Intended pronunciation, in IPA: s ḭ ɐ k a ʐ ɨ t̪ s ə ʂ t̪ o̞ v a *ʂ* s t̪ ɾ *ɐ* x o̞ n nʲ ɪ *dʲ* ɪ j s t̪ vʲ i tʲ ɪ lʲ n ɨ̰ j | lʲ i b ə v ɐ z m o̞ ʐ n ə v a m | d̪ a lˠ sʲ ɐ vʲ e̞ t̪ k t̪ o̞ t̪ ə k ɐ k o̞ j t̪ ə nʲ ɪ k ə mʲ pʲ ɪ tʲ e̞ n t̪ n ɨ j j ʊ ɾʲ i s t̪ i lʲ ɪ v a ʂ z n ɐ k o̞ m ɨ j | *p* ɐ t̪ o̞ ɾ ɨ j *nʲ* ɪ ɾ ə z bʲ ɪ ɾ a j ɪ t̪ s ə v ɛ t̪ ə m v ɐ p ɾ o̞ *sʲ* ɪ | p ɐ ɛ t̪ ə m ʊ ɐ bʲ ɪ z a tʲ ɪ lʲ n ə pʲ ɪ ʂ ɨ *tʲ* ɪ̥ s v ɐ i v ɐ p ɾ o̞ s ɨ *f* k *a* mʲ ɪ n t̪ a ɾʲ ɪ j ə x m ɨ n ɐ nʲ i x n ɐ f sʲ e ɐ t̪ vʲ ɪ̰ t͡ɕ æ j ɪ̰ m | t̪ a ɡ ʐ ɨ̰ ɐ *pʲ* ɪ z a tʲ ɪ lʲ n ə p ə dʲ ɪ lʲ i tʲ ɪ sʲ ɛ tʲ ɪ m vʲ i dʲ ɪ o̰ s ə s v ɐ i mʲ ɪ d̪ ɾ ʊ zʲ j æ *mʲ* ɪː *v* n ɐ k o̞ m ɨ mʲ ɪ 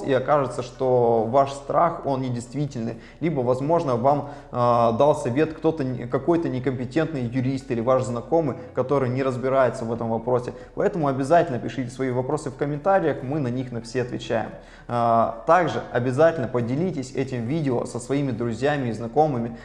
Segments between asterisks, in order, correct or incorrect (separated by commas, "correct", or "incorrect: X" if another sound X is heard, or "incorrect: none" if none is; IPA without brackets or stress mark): correct, incorrect: a, correct, incorrect: k, correct, correct, correct, correct, incorrect: ə, incorrect: bʲ, correct, incorrect: z